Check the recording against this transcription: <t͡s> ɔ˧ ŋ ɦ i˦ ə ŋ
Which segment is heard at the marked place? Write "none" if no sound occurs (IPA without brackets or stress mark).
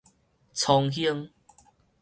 t͡sʰ